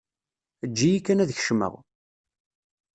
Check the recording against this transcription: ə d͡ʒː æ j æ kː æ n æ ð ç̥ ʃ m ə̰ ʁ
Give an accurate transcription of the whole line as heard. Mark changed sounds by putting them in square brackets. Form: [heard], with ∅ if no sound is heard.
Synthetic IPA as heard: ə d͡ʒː [i] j [i] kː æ n æ ð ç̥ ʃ m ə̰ ʁ